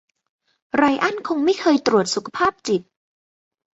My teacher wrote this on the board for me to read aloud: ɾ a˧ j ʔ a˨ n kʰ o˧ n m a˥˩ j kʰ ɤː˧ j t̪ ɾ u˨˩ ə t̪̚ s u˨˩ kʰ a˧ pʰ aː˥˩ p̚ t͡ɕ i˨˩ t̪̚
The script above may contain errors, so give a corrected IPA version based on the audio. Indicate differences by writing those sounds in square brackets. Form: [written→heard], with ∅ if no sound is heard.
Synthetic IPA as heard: ɾ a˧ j ʔ [a˨→a˥˩] n kʰ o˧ [n→ŋ] m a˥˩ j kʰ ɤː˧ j t̪ ɾ u˨˩ ə t̪̚ s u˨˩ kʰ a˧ pʰ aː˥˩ p̚ t͡ɕ i˨˩ t̪̚